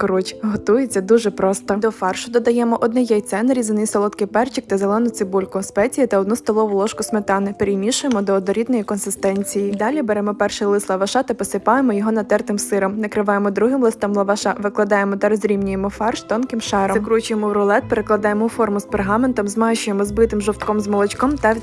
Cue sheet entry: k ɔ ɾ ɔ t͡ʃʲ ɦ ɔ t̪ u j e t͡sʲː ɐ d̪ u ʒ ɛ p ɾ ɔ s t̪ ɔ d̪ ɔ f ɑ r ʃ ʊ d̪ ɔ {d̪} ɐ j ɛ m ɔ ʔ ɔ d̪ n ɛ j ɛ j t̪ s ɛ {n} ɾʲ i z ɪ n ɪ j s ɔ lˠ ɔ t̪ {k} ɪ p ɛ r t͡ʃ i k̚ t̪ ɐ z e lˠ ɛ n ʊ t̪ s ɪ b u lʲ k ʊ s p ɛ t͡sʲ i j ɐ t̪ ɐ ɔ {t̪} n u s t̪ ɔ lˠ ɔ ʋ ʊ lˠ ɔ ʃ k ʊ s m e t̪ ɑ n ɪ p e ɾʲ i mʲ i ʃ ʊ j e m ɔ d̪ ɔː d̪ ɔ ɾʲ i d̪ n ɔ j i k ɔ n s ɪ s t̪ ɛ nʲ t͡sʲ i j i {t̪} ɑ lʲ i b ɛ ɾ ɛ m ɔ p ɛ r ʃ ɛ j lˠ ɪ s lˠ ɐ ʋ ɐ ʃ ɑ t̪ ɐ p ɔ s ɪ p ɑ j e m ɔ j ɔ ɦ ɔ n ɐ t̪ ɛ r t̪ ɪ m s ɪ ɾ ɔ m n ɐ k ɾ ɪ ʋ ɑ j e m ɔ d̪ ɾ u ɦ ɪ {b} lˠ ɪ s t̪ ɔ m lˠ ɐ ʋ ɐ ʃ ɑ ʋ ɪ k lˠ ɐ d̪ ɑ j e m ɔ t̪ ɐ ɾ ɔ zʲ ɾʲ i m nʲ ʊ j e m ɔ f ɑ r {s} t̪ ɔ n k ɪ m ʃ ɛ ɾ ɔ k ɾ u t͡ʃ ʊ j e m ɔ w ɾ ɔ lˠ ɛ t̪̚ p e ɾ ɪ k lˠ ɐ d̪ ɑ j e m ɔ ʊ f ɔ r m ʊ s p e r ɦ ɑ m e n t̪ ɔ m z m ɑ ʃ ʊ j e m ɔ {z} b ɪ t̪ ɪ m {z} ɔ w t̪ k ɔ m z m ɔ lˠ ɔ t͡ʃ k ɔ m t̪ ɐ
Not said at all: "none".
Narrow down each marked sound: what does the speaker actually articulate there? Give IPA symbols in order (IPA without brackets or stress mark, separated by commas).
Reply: d̪, n, k, d̪, d̪, m, ʃ, z, ʒ